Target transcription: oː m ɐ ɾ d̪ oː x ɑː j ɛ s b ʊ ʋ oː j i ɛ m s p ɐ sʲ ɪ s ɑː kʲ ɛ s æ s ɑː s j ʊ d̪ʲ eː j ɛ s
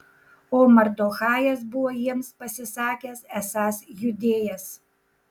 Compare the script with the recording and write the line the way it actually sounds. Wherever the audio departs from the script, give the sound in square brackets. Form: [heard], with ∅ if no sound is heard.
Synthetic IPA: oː m ɐ ɾ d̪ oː x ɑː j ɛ s b ʊ ʋ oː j i ɛ m s p ɐ sʲ ɪ s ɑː kʲ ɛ s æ s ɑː s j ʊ d̪ʲ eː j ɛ s